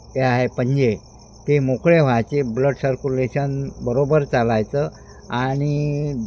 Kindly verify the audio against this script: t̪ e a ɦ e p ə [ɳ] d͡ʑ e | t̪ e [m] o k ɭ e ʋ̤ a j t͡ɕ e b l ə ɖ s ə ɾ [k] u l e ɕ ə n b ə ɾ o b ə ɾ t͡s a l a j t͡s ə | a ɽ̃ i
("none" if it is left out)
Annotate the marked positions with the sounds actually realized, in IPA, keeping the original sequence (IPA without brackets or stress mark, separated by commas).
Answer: ɲ, m, k